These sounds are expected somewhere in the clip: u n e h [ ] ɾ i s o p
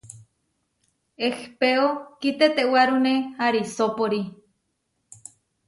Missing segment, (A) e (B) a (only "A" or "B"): B